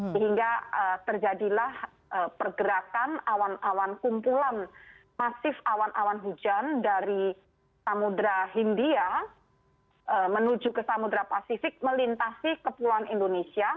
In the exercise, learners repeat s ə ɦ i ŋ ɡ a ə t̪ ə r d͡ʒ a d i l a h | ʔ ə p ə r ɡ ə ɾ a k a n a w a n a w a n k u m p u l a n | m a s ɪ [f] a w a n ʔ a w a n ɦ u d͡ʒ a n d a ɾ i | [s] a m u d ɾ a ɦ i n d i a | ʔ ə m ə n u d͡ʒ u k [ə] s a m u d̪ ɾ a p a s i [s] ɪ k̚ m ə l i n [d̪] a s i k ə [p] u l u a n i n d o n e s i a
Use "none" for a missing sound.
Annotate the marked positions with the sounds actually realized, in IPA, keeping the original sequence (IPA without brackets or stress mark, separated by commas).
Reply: f, s, ə, f, t̪, p